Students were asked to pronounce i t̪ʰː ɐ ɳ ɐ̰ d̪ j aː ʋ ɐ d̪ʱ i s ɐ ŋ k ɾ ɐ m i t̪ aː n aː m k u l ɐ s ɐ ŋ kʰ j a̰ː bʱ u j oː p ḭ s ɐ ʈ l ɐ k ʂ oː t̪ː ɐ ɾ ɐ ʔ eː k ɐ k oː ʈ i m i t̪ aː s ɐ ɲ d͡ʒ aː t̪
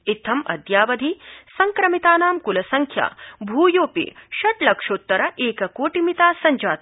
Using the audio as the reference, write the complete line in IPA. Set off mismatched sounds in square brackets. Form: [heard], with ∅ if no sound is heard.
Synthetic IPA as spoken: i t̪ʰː ɐ [m] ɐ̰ d̪ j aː ʋ ɐ d̪ʱ i s ɐ ŋ k ɾ ɐ m i t̪ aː n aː m k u l ɐ s ɐ ŋ kʰ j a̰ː bʱ [uː] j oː p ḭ [ʃ] ɐ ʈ l ɐ k ʂ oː t̪ː ɐ ɾ ɐ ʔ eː k ɐ k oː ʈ i m i t̪ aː s ɐ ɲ d͡ʒ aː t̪